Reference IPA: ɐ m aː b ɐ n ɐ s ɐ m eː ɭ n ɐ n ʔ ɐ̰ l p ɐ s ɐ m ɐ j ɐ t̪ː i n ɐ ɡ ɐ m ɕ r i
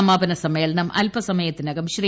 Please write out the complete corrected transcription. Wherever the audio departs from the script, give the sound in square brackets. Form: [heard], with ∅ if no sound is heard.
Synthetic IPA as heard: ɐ m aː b ɐ n ɐ s ɐ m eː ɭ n ɐ [m] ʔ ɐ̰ l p ɐ s ɐ m ɐ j ɐ t̪ː i n ɐ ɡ ɐ m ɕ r i